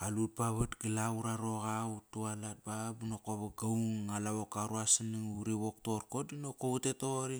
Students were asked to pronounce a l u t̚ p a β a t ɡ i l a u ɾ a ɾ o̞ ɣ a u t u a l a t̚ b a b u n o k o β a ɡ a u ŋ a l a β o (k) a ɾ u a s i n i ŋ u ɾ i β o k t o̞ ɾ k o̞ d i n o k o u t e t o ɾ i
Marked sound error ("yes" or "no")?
no